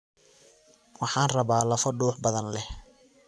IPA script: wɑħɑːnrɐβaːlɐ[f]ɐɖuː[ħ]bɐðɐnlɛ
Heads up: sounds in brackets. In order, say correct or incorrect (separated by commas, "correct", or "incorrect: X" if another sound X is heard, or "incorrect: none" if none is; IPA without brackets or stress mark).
correct, correct